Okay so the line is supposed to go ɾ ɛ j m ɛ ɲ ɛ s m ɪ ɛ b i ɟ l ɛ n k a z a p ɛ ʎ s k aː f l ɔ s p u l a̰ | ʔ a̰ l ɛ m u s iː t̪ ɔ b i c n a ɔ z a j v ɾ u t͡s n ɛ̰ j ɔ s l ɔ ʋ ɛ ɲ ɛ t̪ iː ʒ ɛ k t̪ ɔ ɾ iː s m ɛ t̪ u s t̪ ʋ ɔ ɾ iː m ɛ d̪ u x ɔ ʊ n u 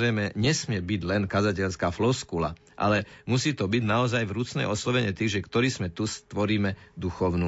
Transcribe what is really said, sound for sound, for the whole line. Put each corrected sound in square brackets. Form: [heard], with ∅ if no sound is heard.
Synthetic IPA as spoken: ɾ ɛ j m ɛ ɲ ɛ s m ɪ ɛ b i ɟ l ɛ n k a z a [c] ɛ ʎ s k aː f l ɔ s [k] u l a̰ | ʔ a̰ l ɛ m u s iː t̪ ɔ b i [ɟ] n a ɔ z a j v ɾ u t͡s n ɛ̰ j ɔ s l ɔ ʋ ɛ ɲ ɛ t̪ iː ʒ ɛ k t̪ ɔ ɾ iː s m ɛ t̪ u s t̪ ʋ ɔ ɾ iː m ɛ d̪ u x ɔ ʊ n u